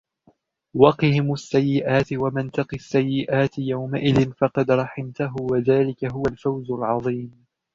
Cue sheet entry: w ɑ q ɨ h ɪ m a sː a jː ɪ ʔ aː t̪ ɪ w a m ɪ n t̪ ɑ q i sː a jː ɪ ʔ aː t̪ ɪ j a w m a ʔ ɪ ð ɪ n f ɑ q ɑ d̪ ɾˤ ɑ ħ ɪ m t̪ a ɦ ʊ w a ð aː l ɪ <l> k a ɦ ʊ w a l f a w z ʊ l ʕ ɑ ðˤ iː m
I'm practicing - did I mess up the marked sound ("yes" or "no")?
yes